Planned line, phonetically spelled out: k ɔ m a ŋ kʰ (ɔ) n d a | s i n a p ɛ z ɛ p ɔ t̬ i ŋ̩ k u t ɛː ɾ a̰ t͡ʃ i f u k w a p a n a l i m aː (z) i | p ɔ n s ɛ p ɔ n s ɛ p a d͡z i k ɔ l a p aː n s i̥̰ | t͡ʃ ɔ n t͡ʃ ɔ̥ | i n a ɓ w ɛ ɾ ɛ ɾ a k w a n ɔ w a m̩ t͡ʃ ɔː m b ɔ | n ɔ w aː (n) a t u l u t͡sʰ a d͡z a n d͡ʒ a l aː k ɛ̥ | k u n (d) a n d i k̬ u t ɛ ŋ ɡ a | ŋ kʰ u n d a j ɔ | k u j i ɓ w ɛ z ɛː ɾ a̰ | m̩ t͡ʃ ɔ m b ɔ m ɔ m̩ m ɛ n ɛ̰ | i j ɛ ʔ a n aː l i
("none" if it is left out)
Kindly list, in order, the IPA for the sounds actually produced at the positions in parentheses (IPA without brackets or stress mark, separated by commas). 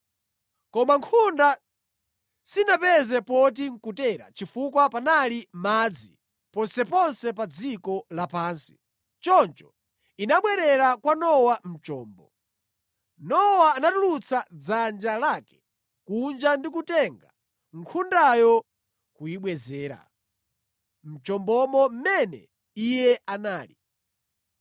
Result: u, d͡z, n, d͡ʒ